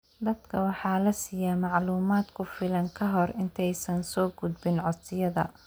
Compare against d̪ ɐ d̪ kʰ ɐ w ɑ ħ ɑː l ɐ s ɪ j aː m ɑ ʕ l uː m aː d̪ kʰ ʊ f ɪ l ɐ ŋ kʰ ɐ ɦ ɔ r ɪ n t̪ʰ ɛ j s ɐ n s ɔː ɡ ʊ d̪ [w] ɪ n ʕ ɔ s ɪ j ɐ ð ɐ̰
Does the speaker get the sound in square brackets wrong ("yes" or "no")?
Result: yes